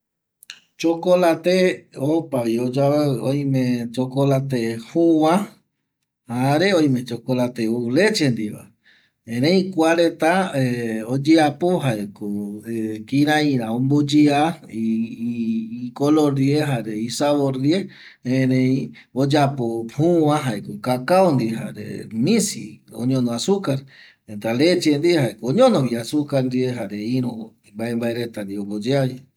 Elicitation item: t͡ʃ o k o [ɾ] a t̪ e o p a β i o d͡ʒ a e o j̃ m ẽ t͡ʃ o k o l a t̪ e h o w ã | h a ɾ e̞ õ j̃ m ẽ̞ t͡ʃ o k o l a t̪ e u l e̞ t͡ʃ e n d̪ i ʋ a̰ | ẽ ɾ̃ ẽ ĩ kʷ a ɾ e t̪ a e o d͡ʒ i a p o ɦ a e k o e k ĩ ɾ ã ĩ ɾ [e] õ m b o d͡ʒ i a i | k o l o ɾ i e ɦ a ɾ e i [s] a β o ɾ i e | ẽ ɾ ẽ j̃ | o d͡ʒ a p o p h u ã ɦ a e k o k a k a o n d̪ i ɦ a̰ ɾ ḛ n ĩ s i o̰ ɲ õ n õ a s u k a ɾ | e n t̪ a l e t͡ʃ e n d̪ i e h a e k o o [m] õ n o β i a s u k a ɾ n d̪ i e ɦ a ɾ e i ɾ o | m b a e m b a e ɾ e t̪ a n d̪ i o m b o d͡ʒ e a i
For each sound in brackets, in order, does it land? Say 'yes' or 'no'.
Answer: no, no, yes, no

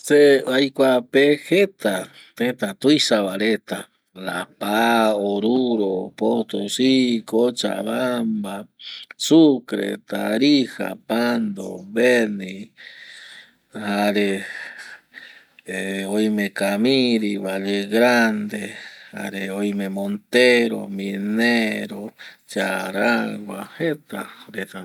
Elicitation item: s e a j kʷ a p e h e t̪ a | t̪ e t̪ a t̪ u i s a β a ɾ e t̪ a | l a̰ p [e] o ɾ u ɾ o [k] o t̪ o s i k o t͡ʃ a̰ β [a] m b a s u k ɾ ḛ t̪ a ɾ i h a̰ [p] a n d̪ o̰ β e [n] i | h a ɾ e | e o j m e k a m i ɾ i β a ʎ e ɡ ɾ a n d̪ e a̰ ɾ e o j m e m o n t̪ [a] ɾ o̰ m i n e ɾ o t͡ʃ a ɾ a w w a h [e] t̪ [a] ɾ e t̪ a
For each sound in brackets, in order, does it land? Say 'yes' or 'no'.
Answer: no, no, yes, yes, yes, no, yes, yes

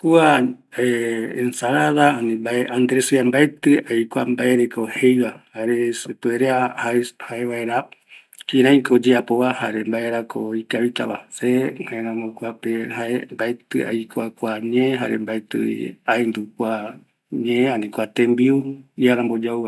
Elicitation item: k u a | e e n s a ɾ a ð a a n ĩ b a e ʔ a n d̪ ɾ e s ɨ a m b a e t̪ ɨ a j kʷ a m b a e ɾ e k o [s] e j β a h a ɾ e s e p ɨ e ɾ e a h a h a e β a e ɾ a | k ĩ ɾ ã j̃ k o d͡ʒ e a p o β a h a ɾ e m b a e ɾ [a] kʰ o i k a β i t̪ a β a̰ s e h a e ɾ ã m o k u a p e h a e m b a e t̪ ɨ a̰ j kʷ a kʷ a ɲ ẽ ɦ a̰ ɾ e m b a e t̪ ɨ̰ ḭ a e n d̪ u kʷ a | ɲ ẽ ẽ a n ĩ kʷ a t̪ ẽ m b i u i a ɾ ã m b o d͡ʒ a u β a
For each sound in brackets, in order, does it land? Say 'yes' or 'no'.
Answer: no, yes

